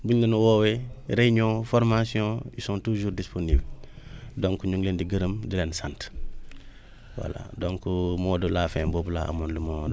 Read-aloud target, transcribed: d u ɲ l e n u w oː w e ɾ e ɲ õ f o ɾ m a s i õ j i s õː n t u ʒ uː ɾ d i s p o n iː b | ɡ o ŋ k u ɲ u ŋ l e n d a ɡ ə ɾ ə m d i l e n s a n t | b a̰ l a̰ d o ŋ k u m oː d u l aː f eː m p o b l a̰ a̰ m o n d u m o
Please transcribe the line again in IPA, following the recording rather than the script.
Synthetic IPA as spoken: b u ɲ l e n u w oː w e ɾ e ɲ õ f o ɾ m a s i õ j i s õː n t u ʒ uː ɾ d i s p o n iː b | d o ŋ k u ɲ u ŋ l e n d i ɡ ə ɾ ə m d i l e n s a n t | w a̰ l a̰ d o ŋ k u m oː d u l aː f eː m b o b l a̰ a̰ m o n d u m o